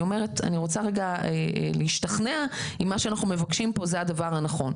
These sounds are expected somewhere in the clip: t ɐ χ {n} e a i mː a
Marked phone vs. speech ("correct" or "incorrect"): correct